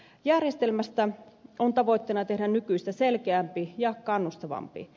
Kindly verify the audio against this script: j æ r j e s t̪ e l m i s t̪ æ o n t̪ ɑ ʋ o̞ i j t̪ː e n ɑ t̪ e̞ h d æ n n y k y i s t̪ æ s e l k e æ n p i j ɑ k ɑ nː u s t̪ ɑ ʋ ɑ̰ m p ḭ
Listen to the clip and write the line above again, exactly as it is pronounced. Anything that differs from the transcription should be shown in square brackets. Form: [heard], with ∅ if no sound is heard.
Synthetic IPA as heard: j æ r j e s t̪ e l m [æ] s t̪ æ o n t̪ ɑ ʋ o̞ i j t̪ː e n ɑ t̪ e̞ h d æ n n y k y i s t̪ æ s e l k e æ [m] p i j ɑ k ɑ nː u s t̪ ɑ ʋ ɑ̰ m p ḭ